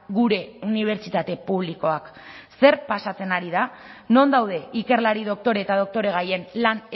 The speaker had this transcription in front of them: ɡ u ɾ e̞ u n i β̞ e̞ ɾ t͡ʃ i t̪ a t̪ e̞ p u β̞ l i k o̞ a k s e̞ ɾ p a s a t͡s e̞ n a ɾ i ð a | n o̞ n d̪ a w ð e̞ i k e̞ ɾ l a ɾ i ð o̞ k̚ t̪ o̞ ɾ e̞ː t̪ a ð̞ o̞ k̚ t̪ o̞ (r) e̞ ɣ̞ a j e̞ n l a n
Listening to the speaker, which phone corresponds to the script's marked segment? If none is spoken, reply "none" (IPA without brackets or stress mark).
ɾ